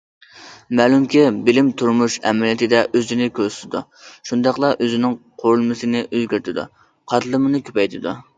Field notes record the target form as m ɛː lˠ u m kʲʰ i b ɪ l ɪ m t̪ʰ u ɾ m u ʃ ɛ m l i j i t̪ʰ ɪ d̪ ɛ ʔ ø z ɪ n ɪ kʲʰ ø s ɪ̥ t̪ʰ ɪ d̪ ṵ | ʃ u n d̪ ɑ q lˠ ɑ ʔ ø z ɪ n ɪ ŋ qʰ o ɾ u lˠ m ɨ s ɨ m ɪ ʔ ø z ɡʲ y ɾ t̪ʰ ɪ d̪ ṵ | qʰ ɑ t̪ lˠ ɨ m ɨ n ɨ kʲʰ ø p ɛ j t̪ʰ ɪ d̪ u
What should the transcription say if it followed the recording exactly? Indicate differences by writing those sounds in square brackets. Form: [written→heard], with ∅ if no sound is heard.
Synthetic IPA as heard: m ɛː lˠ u m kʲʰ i b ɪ l ɪ m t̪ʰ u ɾ m u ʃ ɛ m l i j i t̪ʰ ɪ d̪ ɛ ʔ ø z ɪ n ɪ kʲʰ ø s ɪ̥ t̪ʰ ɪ d̪ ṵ | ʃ u n d̪ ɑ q lˠ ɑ ʔ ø z ɪ n ɪ ŋ qʰ o ɾ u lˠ m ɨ s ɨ [m→n] ɪ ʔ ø z ɡʲ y ɾ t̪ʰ ɪ d̪ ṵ | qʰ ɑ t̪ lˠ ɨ m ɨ n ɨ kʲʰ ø p ɛ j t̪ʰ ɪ d̪ u